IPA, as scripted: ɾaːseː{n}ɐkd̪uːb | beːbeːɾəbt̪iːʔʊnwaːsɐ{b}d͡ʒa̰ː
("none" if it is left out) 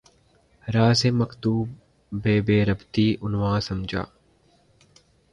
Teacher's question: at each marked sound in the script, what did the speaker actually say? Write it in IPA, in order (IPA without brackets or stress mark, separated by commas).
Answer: m, m